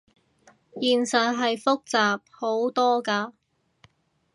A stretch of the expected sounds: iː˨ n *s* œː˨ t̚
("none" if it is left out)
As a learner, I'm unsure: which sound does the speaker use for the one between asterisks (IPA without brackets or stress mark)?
s